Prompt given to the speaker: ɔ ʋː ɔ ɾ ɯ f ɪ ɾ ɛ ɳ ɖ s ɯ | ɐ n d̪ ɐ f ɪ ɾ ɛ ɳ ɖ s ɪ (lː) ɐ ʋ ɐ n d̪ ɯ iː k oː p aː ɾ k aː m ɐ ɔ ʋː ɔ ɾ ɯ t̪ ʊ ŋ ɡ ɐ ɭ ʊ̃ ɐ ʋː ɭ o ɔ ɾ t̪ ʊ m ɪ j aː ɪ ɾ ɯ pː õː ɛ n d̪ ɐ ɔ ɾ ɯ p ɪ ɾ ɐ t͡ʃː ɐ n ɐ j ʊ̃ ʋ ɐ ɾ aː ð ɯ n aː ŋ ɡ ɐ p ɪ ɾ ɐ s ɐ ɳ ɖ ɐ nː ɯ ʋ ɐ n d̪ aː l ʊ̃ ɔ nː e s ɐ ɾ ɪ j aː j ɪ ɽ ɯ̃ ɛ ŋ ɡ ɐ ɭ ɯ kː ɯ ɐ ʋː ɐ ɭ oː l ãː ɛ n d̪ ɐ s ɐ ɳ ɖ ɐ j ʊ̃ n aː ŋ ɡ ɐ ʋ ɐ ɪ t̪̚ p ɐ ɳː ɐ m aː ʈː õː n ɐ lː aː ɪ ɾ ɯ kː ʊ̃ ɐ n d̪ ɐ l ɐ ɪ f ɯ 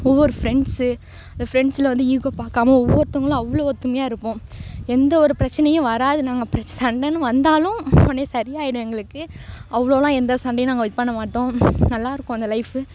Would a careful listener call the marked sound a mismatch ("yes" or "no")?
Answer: yes